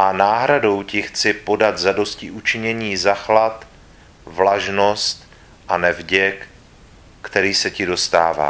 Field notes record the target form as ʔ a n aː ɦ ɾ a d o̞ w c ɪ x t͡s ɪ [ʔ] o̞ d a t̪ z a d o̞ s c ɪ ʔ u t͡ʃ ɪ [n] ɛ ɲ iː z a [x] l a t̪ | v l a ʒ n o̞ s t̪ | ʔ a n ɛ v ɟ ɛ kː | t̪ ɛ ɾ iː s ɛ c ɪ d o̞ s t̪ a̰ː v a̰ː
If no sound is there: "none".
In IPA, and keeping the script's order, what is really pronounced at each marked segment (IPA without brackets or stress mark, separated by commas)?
p, ɲ, x